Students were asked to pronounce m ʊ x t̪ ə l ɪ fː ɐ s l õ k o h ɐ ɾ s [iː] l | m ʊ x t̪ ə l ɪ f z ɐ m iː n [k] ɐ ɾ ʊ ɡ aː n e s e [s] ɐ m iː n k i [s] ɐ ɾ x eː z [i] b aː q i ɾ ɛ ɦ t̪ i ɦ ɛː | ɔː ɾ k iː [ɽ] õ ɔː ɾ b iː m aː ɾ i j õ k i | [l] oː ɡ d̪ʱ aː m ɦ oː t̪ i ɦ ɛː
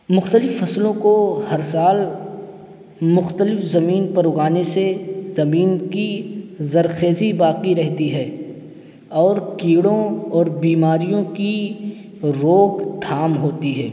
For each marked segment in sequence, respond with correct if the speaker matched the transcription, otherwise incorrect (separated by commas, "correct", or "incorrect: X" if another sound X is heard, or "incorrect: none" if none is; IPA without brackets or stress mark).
incorrect: aː, incorrect: p, incorrect: z, incorrect: z, correct, correct, incorrect: ɾ